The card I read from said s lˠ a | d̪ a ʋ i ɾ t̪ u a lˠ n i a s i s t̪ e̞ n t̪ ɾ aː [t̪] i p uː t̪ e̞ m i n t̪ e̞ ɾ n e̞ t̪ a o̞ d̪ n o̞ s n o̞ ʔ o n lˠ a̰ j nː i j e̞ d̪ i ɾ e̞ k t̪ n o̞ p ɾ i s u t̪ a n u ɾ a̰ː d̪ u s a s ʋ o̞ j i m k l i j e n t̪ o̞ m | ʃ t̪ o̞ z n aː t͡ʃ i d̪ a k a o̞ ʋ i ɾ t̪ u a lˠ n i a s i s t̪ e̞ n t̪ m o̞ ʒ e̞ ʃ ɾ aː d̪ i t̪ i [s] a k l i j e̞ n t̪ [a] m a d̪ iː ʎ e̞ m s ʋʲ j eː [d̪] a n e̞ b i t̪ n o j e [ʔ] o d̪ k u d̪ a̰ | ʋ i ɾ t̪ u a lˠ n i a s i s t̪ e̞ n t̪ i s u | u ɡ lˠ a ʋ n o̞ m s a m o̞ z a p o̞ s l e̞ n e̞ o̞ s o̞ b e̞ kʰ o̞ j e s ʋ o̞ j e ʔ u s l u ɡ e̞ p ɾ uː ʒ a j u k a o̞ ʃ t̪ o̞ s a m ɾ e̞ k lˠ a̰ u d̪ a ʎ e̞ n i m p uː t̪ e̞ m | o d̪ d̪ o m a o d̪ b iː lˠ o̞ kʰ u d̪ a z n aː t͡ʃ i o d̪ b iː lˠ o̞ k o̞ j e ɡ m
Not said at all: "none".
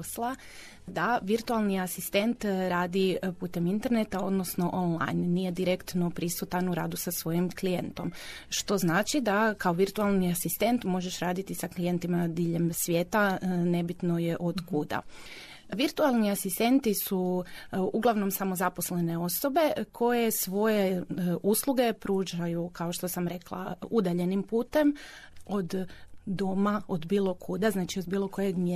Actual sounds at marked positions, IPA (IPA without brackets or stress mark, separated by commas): d̪, s, i, t̪, ʔ